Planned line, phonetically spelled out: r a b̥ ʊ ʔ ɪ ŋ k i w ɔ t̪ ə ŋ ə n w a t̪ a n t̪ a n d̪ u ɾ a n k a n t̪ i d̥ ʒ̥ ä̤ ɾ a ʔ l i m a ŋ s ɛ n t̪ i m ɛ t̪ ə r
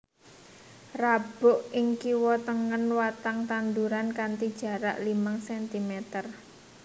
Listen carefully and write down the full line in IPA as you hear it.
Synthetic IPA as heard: r a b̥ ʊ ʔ ɪ ŋ k i w ɔ t̪ ə ŋ ə n w a t̪ a ŋ t̪ a n d̪ u ɾ a n k a n t̪ i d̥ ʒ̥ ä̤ ɾ a ʔ l i m a ŋ s ɛ n t̪ i m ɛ t̪ ə r